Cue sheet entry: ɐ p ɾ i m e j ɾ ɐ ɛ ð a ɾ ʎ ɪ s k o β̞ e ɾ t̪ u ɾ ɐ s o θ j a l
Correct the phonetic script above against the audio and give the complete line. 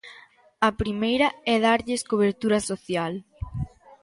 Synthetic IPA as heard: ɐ p ɾ i m e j ɾ ɐ ɛ ð a ɾ ʎ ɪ s k o β̞ e ɾ t̪ u ɾ ɐ s o θ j a l